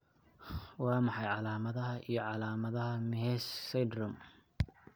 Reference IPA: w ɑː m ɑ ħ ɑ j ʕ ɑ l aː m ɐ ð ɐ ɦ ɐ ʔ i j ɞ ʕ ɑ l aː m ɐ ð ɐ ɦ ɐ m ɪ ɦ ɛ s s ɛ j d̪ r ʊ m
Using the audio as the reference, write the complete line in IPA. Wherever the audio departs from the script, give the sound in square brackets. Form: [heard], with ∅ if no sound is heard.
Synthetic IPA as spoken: w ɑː m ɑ ħ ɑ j ʕ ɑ l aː m ɐ ð ɐ ɦ ɐ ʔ i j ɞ ʕ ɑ l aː m ɐ ð ɐ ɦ ɐ m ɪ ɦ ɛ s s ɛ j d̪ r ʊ m